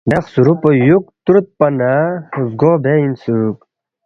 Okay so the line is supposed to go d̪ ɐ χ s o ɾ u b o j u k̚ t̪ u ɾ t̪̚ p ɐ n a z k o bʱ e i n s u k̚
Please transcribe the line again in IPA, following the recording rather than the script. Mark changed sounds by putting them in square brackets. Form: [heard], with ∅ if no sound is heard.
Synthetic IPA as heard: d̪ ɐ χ s [u] ɾ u [p] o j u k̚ t̪ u ɾ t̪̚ p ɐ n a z [ɡ] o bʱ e i n s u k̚